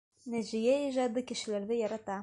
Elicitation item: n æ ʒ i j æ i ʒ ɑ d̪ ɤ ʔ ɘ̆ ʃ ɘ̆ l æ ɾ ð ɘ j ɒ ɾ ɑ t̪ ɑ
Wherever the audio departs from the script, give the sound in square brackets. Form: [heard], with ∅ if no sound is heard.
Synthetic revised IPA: n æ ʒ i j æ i ʒ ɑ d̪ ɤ [k] ɘ̆ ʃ ɘ̆ l æ ɾ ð ɘ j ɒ ɾ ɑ t̪ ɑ